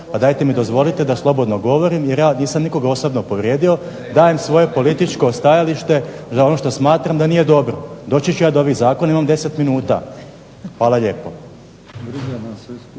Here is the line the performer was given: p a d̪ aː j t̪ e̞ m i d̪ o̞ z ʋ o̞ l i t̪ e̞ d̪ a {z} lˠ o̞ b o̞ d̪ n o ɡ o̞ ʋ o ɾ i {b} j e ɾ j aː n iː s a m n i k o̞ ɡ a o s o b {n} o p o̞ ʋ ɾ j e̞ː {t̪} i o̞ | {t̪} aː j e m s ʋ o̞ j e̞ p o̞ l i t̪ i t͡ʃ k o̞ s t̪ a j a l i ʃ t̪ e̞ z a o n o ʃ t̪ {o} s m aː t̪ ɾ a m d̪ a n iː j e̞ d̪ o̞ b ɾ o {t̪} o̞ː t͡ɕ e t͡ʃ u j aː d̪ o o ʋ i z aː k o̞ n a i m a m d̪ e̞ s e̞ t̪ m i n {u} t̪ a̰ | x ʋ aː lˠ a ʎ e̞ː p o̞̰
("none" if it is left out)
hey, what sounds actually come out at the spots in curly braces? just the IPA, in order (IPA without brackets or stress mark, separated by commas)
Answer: s, m, n, d̪, d̪, o, d̪, uː